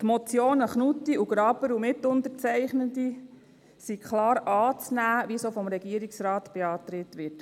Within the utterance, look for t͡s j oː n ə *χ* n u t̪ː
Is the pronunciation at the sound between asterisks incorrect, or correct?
correct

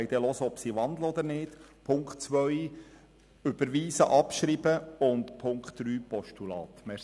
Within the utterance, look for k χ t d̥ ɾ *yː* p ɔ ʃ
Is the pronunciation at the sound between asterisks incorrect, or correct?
correct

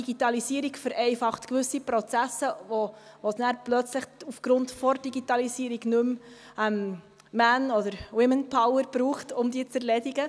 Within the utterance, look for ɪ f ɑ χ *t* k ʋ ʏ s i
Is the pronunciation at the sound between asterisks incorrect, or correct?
correct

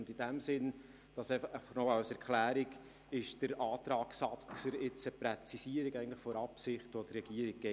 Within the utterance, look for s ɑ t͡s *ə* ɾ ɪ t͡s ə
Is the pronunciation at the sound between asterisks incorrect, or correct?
correct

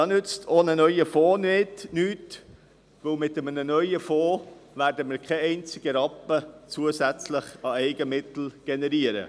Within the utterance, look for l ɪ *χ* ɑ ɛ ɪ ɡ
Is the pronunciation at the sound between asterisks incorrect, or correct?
correct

